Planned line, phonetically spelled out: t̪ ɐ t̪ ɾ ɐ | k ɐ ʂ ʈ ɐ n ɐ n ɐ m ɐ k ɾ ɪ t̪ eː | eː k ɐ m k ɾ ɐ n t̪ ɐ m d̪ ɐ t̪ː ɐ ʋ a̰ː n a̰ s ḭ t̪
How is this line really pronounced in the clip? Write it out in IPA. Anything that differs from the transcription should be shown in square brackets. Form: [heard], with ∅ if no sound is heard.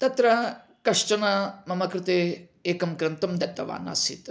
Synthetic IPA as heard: t̪ ɐ t̪ ɾ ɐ | k ɐ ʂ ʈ ɐ n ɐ [m] ɐ m ɐ k ɾ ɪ t̪ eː | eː k ɐ m k ɾ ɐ n t̪ ɐ m d̪ ɐ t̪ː ɐ ʋ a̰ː n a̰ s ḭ t̪